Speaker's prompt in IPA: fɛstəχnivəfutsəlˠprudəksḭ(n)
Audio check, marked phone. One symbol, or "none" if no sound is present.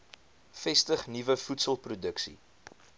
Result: none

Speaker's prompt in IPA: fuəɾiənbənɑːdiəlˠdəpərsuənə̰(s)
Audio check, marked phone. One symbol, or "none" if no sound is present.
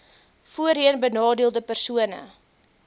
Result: none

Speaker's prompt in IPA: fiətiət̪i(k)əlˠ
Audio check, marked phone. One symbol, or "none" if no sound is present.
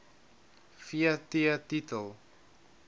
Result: t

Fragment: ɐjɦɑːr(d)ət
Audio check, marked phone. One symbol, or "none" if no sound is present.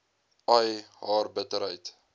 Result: b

